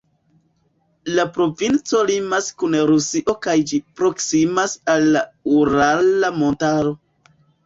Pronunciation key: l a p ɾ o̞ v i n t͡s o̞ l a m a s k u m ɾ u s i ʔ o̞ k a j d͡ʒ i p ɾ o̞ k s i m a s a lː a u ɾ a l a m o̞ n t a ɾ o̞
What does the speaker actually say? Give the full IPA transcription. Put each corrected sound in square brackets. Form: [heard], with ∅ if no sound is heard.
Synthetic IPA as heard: l a p ɾ o̞ v i n t͡s o̞ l [i] m a s k u [n] ɾ u s i ʔ o̞ k a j d͡ʒ i p ɾ o̞ k s i m a s a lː a u ɾ a l a m o̞ n t a ɾ o̞